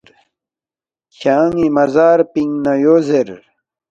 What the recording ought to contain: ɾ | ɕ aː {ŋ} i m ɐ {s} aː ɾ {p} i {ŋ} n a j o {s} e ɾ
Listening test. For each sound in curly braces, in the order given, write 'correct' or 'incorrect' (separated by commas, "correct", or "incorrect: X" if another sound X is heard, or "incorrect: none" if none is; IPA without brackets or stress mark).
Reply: correct, incorrect: z, correct, correct, incorrect: z